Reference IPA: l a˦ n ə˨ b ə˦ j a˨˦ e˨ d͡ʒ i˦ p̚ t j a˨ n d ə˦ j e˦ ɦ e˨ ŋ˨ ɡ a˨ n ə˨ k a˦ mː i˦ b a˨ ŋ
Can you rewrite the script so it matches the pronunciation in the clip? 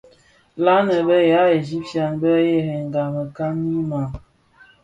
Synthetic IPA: l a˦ n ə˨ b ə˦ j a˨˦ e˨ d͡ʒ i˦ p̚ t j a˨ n b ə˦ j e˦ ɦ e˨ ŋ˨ ɡ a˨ m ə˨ k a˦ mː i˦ m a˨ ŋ